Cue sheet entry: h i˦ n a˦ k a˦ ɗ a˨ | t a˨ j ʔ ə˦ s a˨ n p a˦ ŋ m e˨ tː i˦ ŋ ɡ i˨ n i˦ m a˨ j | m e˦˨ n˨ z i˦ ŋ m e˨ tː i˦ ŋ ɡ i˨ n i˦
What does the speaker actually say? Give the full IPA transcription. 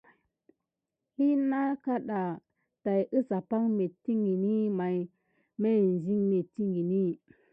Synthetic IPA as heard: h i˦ n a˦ k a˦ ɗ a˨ | t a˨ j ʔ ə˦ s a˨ p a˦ ŋ m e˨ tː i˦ ŋ ɡ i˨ n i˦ m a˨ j | m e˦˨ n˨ z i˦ ŋ m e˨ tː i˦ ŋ ɡ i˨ n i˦